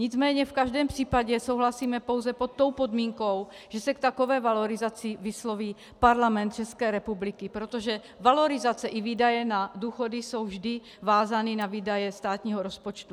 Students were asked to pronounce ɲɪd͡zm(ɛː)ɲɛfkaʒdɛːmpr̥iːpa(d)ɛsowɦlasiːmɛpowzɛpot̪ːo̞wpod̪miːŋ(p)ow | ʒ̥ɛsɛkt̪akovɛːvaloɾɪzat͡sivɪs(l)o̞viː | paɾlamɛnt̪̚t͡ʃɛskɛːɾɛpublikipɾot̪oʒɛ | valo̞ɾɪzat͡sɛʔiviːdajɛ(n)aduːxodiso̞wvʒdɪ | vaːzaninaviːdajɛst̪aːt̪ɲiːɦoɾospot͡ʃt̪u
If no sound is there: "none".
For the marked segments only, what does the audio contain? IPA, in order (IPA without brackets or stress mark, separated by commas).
ɛː, ɟ, k, l, n